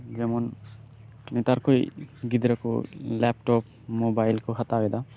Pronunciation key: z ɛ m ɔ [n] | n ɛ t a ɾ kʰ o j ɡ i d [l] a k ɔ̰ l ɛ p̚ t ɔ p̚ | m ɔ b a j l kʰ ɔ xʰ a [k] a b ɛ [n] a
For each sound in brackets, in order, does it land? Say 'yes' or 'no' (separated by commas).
yes, no, no, no